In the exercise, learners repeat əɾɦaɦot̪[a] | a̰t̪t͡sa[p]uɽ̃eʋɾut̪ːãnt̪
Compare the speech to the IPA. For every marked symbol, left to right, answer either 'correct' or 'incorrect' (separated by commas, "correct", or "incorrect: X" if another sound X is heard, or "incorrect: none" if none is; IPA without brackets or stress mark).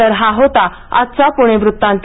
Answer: correct, correct